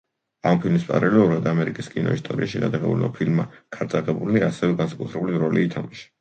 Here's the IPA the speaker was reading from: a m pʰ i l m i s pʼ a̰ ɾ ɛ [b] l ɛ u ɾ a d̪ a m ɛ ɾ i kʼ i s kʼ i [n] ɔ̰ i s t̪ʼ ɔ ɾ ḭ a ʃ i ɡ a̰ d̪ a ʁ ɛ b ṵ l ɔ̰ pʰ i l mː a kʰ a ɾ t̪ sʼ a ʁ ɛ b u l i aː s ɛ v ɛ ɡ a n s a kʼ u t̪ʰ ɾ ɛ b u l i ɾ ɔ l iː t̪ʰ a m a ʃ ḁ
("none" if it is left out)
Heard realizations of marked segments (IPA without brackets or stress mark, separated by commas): none, n